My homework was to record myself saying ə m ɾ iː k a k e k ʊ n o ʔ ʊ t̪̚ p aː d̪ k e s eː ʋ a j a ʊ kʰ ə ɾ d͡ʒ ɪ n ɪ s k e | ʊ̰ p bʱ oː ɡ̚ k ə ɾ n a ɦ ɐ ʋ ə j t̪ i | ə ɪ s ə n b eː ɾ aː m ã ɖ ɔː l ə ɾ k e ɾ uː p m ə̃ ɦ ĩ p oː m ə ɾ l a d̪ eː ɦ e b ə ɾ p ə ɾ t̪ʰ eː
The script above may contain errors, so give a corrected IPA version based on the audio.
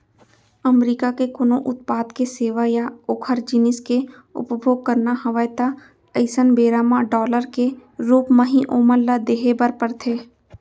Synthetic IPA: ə m ɾ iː k a k e k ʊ n o ʔ ʊ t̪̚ p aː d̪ k e s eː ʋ a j a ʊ kʰ ə ɾ d͡ʒ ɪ n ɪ s k e | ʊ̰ p bʱ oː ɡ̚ k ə ɾ n a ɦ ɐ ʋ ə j t̪ a | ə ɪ s ə n b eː ɾ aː m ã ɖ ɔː l ə ɾ k e ɾ uː p m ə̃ ɦ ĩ ʔ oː m ə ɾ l a d̪ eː ɦ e b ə ɾ p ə ɾ t̪ʰ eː